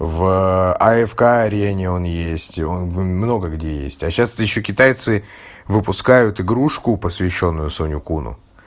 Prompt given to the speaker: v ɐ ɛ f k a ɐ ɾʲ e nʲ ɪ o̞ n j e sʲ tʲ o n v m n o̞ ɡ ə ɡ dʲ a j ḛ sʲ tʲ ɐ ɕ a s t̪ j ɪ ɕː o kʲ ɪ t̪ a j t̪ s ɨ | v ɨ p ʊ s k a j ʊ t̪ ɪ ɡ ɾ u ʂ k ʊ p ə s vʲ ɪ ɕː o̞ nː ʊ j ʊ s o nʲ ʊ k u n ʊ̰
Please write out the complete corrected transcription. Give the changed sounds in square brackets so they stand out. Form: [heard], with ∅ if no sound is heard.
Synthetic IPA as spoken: v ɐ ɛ f k a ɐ ɾʲ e nʲ ɪ o̞ n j e sʲ tʲ o n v m n o̞ ɡ ə ɡ dʲ [e] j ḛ sʲ tʲ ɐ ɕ a s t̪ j ɪ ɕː o kʲ ɪ t̪ a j t̪ s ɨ | v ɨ p ʊ s k a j ʊ t̪ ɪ ɡ ɾ u ʂ k ʊ p ə s vʲ ɪ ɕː o̞ nː ʊ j ʊ s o nʲ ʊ k u n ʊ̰

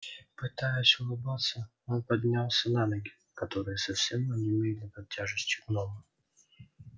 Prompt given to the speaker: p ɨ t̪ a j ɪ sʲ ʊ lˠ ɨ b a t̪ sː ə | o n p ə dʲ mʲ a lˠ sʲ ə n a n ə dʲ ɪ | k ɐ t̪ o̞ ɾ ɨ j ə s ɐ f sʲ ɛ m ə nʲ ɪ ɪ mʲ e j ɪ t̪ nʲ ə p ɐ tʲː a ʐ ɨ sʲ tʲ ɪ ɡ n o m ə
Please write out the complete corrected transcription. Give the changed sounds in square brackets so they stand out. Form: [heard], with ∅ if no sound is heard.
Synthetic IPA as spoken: p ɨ t̪ a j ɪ sʲ ʊ lˠ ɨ b a t̪ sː ə | o n p [ɐ] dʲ [nʲ] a lˠ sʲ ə n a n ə [ɡʲ] ɪ | k ɐ t̪ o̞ ɾ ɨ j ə s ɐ f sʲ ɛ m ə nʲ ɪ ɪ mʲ e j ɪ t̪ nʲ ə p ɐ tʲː a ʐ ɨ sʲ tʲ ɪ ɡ n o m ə

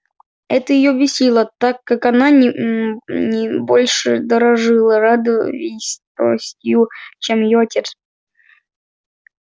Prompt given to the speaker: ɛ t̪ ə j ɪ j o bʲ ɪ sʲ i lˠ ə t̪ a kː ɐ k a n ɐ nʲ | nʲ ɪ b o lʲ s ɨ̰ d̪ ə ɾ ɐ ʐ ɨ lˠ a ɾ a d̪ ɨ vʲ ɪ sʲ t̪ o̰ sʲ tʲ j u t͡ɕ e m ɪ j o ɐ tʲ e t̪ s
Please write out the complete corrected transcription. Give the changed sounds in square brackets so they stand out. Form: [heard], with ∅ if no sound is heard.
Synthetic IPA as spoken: ɛ t̪ ə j ɪ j o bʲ ɪ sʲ i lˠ ə t̪ a kː [a] k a n [a] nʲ | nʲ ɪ b o lʲ [ʂ] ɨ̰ d̪ ə ɾ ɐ ʐ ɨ lˠ [ə] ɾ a d̪ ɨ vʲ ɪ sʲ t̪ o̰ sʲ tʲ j u t͡ɕ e m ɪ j o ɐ tʲ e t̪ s

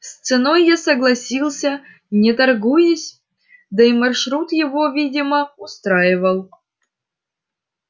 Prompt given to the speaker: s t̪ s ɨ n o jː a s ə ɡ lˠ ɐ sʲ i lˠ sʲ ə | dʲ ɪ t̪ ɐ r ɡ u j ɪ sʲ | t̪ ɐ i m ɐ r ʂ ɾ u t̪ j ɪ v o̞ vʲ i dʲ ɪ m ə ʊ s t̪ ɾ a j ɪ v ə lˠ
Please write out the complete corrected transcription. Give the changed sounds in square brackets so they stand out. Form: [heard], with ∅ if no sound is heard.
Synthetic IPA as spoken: s t̪ s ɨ n o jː a s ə ɡ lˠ ɐ sʲ i lˠ sʲ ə | [nʲ] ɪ t̪ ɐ r ɡ u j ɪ sʲ | [d̪] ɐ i m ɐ r ʂ ɾ u t̪ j ɪ v o̞ vʲ i dʲ ɪ m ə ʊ s t̪ ɾ a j ɪ v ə lˠ

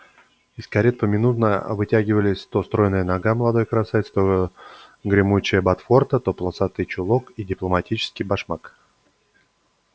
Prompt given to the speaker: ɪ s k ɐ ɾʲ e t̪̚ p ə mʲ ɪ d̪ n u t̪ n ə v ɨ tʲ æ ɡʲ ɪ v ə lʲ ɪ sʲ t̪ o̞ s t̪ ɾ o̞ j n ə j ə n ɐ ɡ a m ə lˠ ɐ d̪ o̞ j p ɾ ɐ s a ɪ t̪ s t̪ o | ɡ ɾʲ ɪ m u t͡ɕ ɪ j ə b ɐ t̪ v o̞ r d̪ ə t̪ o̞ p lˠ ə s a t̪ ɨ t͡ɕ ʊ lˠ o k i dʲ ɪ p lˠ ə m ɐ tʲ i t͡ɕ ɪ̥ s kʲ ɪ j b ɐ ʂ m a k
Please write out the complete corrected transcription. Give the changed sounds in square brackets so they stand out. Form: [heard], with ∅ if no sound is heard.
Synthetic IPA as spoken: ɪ s k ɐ ɾʲ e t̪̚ p ə mʲ ɪ [∅] n u t̪ n ə v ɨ tʲ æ ɡʲ ɪ v ə lʲ ɪ sʲ t̪ o̞ s t̪ ɾ o̞ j n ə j ə n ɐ ɡ a m ə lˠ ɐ d̪ o̞ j [k] ɾ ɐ s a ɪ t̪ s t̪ o | ɡ ɾʲ ɪ m u t͡ɕ ɪ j ə b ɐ t̪ [f] o̞ r [t̪] ə t̪ o̞ p lˠ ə s a t̪ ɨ t͡ɕ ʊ lˠ o k i dʲ ɪ p lˠ ə m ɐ tʲ i t͡ɕ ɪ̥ s kʲ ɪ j b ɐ ʂ m a k

